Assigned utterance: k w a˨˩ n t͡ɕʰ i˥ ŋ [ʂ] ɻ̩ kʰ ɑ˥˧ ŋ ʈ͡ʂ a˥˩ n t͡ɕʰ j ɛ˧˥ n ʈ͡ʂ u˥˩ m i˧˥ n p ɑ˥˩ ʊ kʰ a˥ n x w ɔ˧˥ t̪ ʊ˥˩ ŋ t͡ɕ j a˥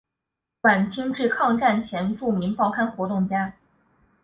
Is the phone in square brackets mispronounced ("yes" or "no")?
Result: yes